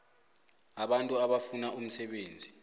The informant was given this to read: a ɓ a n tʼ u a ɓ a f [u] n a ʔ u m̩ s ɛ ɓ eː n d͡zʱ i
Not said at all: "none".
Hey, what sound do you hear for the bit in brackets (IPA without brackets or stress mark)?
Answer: u